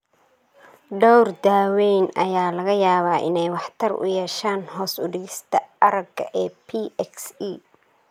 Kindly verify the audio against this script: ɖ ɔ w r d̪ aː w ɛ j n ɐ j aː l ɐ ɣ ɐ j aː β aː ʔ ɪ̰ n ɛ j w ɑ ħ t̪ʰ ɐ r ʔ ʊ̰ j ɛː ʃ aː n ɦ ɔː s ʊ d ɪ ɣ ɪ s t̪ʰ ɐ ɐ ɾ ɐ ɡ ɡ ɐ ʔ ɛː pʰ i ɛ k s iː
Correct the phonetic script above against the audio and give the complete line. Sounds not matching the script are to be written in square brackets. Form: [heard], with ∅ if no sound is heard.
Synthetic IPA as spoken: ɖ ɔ w r d̪ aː w ɛ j n ɐ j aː l ɐ ɣ ɐ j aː β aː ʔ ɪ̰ n ɛ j w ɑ ħ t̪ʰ ɐ r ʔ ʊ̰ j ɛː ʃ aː n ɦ ɔː s ʊ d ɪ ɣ ɪ s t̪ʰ ɐ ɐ ɾ ɐ ɡ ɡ ɐ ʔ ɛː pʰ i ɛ k s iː